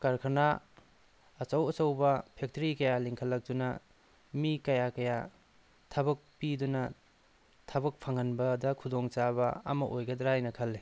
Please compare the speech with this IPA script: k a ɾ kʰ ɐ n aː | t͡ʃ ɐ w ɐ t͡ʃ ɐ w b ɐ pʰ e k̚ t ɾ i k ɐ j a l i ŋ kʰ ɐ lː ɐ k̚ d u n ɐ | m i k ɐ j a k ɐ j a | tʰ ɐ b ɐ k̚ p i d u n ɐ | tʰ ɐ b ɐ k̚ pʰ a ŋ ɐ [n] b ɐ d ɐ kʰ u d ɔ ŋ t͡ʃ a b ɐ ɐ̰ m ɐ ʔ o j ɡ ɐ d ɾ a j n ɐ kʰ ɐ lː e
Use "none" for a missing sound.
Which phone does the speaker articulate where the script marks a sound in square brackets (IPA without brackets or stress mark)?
n